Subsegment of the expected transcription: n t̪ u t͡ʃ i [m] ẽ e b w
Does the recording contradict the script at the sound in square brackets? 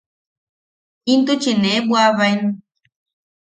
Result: yes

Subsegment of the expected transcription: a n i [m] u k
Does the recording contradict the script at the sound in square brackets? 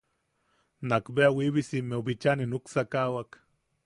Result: yes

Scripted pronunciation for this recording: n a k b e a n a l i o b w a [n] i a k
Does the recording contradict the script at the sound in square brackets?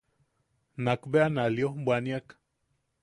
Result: no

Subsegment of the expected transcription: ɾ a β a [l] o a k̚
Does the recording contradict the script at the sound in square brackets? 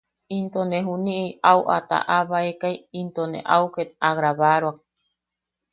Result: yes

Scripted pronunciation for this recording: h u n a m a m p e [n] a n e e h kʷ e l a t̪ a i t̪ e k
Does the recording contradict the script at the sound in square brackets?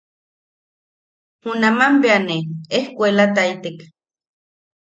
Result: yes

